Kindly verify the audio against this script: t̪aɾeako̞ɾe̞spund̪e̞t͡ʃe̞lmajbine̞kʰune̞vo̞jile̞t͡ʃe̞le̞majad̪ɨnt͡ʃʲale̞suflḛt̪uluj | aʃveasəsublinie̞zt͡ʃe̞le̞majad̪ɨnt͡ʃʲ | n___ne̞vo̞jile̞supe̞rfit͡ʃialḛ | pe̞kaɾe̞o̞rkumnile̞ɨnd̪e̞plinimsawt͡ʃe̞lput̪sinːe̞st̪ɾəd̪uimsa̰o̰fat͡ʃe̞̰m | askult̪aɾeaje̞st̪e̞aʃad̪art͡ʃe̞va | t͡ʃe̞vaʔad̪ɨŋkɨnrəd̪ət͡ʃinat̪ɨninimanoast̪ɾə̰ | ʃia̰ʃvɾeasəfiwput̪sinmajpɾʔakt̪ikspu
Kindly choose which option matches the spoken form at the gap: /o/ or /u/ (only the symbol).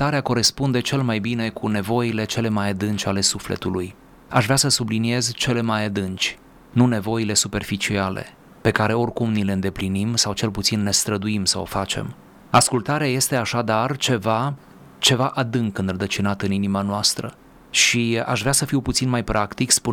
u